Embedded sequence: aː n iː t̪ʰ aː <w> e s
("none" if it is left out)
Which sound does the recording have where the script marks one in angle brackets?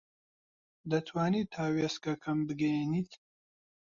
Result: w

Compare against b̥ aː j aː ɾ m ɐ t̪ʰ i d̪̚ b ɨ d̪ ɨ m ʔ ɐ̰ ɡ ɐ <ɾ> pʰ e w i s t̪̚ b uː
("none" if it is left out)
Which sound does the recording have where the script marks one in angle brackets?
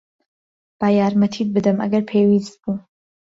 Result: ɾ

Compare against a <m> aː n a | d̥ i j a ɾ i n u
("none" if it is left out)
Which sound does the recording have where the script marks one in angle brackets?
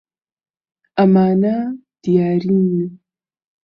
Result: m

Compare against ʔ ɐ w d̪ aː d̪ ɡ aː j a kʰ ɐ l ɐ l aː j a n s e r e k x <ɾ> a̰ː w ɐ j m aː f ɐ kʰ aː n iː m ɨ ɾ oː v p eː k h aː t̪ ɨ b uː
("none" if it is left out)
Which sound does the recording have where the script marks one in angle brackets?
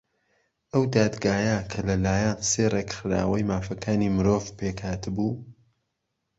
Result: ɾ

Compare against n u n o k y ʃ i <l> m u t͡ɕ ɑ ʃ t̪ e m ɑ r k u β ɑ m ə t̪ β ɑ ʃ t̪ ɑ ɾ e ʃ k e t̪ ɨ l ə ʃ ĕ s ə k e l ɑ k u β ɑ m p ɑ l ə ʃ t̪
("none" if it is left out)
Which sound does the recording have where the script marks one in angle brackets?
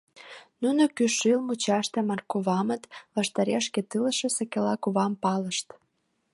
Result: l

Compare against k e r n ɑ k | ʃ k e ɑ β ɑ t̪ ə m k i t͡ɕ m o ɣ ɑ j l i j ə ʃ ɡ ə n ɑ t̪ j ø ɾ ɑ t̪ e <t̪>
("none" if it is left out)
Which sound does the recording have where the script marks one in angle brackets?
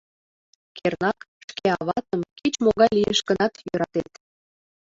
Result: t̪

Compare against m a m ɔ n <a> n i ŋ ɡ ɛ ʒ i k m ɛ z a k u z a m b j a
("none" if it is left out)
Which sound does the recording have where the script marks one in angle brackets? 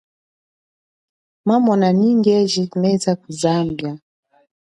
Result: a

